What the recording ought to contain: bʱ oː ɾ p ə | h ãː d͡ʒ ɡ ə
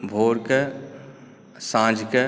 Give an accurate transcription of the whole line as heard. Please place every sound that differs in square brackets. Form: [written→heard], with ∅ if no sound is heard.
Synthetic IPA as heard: bʱ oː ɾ [p→k] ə | [h→s] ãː d͡ʒ [ɡ→k] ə